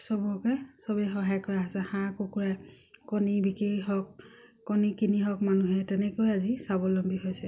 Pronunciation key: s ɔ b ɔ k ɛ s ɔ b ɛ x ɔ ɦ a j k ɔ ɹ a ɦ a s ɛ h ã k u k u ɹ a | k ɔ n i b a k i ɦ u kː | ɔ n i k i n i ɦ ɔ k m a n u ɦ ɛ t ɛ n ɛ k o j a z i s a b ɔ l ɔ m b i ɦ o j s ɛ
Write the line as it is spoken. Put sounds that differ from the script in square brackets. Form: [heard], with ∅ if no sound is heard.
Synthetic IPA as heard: s ɔ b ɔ k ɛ s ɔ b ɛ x ɔ ɦ a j k ɔ ɹ a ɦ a s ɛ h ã k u k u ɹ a | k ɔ n i b [i] k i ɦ [ɔ] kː | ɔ n i k i n i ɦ ɔ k m a n u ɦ ɛ t ɛ n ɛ k o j a z i s a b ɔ l ɔ m b i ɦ o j s ɛ